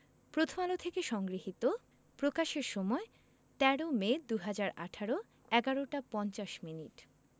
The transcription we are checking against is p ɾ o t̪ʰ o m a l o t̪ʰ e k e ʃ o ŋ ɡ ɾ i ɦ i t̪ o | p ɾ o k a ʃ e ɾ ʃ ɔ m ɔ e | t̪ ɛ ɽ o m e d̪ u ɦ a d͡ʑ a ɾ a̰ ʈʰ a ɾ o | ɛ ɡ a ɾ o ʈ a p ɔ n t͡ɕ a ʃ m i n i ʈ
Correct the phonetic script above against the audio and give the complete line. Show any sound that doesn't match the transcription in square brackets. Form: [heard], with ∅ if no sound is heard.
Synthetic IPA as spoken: p ɾ o t̪ʰ o m a l o t̪ʰ e k e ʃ [ɔ] ŋ ɡ ɾ i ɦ i t̪ o | p ɾ o k a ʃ e ɾ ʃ ɔ m ɔ e | t̪ ɛ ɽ o m e d̪ u ɦ a d͡ʑ a ɾ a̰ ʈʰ a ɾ o | ɛ ɡ a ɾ o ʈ a p ɔ n t͡ɕ a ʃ m i n i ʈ